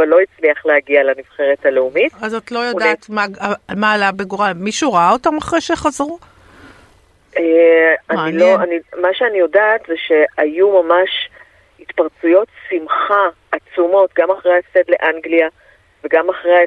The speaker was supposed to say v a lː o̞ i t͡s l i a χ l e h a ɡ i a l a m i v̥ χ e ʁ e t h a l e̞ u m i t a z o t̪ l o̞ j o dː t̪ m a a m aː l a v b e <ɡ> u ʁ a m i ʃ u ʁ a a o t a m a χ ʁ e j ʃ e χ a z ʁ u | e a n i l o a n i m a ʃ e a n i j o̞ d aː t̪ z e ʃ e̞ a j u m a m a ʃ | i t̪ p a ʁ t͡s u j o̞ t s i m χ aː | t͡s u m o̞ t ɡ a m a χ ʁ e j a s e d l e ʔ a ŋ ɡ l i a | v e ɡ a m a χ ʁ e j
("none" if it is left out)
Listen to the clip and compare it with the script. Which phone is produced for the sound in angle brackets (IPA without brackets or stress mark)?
ɡ